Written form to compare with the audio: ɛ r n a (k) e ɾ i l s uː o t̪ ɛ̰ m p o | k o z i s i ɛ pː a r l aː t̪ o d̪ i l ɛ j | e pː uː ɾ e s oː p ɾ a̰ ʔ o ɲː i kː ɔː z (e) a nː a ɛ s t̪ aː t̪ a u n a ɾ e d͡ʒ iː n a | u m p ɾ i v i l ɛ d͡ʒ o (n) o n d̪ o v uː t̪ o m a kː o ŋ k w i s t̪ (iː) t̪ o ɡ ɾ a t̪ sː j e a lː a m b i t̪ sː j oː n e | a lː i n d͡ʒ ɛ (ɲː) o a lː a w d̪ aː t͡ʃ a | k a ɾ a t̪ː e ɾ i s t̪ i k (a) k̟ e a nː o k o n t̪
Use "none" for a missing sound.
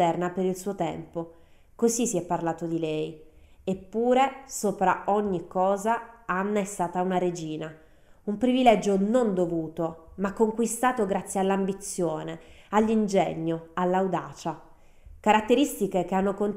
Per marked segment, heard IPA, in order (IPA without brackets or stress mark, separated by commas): p, a, n, aː, ɲː, e